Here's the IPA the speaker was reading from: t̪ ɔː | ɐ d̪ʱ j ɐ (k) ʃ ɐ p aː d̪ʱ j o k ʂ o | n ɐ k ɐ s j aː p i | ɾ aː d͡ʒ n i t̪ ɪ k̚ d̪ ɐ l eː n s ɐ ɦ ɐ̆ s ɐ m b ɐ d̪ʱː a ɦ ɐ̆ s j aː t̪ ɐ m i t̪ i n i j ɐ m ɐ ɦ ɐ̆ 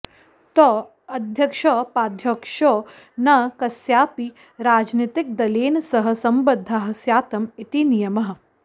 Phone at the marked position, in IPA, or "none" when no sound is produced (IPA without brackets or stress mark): k